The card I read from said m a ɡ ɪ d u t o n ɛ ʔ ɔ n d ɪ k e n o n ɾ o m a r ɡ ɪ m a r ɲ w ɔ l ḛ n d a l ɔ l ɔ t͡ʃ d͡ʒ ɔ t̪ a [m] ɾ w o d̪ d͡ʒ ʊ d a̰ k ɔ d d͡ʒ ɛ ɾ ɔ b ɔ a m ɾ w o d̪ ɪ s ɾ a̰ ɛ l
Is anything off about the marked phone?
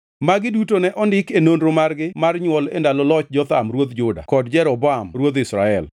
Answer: no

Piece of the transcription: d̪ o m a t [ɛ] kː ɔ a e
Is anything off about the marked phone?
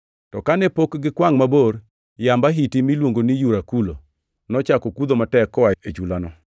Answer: no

